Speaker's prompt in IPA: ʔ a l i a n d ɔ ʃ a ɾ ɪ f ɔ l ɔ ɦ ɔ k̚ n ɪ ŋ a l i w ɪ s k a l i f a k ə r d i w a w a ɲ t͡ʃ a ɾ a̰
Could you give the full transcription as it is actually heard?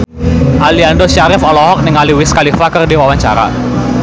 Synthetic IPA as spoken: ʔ a l i a n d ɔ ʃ a ɾ ɪ f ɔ l ɔ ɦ ɔ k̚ n ɪ ŋ a l i w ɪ s k a l i f a k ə r d i w a w a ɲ t͡ʃ a ɾ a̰